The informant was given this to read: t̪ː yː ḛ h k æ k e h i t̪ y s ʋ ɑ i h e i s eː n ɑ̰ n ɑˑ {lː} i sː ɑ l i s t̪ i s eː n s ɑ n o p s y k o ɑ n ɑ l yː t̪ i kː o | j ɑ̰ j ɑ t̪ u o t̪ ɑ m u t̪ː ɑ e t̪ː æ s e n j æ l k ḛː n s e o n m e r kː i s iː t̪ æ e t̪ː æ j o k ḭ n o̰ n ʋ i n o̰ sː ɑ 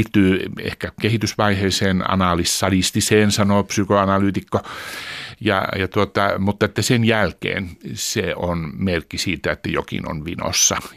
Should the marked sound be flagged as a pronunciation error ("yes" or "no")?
yes